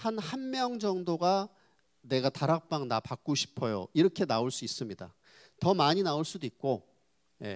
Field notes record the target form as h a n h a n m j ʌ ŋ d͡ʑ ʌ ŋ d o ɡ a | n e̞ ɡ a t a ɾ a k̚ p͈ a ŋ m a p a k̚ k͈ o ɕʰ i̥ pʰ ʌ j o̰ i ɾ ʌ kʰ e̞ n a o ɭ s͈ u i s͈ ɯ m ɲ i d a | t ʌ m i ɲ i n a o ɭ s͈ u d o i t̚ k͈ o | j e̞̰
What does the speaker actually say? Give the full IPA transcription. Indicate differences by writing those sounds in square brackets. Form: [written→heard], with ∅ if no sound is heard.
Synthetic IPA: h a n h a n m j ʌ ŋ d͡ʑ ʌ ŋ d o ɡ a | n e̞ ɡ a t a ɾ a k̚ p͈ a ŋ [m→n] a p a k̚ k͈ o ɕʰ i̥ pʰ ʌ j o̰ i ɾ ʌ kʰ e̞ n a o ɭ s͈ u i s͈ ɯ m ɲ i d a | t ʌ m [i→a] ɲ i n a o ɭ s͈ u d o i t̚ k͈ o | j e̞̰